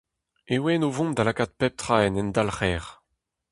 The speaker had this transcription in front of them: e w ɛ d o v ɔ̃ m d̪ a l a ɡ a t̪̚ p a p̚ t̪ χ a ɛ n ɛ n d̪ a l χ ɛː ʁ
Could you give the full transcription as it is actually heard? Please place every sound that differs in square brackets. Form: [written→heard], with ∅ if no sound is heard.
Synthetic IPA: e w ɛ [d→n] o v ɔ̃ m d̪ a l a [ɡ→k] a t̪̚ p [a→ɛ] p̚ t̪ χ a ɛ n ɛ n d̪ a l χ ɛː ʁ